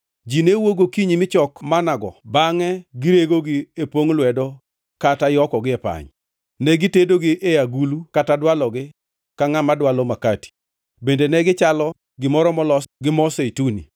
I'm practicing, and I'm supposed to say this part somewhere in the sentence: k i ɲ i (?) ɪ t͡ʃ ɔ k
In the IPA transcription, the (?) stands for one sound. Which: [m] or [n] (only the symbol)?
m